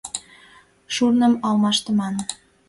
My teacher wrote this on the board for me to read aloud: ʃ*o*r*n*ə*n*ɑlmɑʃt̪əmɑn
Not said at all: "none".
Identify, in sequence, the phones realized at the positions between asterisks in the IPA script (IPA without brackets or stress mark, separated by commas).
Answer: u, n, m